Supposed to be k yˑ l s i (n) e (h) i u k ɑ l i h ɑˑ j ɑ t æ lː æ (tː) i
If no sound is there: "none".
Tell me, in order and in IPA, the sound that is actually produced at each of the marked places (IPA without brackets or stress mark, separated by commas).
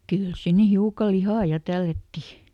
nː, h, tː